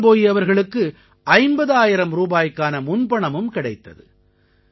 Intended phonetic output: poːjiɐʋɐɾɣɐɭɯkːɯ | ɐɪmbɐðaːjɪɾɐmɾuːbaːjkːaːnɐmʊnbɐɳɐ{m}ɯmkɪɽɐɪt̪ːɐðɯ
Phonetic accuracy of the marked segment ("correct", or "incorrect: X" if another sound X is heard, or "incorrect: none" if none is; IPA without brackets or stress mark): correct